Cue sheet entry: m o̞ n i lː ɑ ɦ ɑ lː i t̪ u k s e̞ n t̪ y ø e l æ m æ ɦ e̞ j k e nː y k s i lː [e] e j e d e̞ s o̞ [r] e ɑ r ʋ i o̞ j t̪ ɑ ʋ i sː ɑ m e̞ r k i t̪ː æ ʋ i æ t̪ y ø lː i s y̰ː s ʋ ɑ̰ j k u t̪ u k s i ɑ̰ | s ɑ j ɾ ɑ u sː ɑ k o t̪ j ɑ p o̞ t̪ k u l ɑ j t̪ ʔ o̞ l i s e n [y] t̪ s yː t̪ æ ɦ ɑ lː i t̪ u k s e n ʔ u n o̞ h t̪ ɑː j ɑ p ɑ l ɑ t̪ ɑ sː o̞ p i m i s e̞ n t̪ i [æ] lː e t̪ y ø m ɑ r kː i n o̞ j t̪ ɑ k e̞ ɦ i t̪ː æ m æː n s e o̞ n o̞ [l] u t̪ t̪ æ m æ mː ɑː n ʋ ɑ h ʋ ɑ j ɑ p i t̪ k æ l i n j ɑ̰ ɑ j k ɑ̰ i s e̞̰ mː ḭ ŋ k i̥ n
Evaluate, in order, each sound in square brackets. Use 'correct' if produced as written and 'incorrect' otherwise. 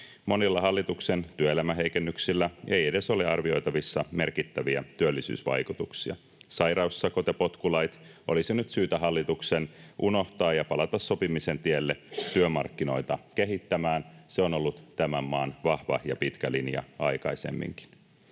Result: incorrect: æ, incorrect: l, correct, incorrect: e, incorrect: lː

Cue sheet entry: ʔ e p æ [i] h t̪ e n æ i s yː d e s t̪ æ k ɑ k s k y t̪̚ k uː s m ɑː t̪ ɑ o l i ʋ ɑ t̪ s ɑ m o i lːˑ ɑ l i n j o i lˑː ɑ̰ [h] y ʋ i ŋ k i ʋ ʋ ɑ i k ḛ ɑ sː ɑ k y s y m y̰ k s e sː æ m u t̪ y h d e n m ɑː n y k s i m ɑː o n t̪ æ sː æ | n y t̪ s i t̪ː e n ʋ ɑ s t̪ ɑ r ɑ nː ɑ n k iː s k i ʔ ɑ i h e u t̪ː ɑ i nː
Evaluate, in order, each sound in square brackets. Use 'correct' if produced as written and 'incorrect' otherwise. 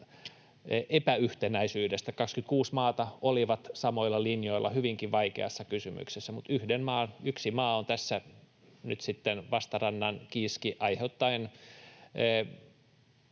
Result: incorrect: y, correct

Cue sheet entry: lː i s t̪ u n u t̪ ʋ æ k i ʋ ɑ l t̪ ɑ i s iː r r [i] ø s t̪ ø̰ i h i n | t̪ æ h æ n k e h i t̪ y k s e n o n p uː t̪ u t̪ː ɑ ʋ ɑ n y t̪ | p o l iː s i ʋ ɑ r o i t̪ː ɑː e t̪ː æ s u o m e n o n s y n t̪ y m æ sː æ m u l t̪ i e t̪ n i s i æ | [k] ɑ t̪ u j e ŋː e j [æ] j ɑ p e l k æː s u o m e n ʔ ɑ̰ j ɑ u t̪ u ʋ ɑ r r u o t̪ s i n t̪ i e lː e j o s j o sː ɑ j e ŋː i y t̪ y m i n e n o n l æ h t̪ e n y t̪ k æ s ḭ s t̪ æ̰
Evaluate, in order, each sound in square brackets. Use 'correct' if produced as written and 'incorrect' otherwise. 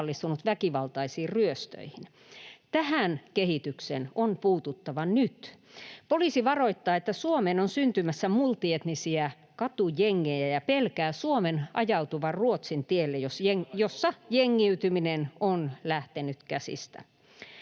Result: incorrect: y, correct, correct

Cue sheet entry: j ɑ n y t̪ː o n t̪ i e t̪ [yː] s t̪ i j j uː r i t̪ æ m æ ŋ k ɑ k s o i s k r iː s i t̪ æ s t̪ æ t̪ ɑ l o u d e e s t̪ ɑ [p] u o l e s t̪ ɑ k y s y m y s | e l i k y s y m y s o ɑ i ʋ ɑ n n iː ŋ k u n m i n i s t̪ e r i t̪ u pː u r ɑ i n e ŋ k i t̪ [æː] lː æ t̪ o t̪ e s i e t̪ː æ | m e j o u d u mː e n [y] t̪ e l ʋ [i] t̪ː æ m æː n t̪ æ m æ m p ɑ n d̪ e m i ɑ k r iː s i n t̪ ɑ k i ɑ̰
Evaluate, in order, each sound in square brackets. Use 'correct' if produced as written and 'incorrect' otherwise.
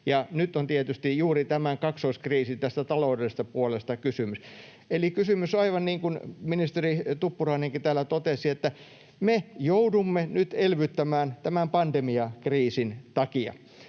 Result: incorrect: y, correct, correct, correct, incorrect: y

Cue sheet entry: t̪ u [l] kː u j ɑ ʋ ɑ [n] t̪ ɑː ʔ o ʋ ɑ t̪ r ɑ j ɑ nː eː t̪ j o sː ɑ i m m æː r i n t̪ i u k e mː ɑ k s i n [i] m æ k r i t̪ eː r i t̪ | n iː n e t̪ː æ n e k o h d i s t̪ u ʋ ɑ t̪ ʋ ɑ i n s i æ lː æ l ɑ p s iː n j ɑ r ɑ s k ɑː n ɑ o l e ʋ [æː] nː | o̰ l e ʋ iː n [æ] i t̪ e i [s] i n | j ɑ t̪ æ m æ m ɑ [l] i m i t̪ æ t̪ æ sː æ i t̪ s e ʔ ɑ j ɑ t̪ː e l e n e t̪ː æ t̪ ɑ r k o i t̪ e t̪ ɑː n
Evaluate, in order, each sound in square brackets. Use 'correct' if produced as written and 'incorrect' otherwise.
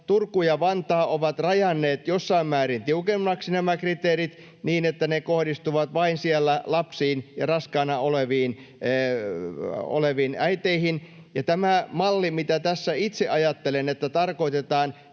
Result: incorrect: r, correct, incorrect: æ, incorrect: iː, correct, incorrect: h, incorrect: lː

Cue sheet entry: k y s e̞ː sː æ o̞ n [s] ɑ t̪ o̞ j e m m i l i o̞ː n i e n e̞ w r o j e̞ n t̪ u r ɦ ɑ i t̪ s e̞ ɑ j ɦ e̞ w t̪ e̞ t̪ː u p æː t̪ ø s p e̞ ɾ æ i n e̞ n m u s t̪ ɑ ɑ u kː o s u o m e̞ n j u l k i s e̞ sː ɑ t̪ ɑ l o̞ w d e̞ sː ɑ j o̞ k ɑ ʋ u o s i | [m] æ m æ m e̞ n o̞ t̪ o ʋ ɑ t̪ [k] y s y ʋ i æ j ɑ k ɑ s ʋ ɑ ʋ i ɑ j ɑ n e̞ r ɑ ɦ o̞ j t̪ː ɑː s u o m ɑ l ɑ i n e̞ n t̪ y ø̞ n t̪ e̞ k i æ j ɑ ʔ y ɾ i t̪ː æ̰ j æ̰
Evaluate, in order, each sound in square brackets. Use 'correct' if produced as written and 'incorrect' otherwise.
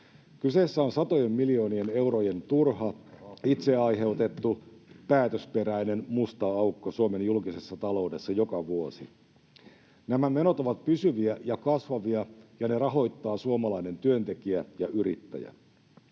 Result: correct, incorrect: n, incorrect: p

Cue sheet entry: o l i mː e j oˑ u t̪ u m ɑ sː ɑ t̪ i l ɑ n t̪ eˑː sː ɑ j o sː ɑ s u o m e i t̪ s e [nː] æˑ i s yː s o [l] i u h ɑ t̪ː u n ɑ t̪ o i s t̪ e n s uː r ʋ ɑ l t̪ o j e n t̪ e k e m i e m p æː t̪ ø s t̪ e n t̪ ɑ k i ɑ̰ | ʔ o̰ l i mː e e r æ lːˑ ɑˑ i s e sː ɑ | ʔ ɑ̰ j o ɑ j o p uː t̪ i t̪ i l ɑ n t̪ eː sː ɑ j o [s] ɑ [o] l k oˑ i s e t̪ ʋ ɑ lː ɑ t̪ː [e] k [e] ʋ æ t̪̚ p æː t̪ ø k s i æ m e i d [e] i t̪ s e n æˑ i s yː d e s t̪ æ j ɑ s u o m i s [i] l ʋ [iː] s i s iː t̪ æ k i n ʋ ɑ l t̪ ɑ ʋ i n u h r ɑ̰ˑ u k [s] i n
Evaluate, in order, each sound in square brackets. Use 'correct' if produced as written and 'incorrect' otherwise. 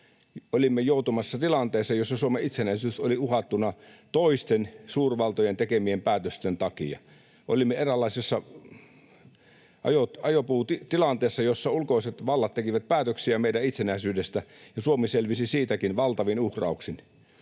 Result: incorrect: n, correct, incorrect: sː, incorrect: u, correct, incorrect: i, incorrect: æ, incorrect: e, incorrect: i, correct

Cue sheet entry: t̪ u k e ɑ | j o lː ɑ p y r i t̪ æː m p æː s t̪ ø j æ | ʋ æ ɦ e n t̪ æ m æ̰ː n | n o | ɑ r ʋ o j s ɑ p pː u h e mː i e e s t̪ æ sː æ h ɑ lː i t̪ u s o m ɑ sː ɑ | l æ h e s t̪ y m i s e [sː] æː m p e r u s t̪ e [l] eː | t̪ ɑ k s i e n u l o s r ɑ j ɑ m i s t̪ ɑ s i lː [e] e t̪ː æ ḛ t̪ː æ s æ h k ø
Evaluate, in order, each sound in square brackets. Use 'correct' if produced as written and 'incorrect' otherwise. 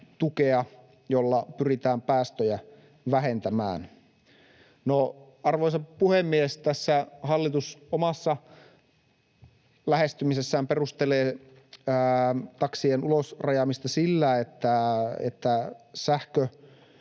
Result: correct, correct, incorrect: æ

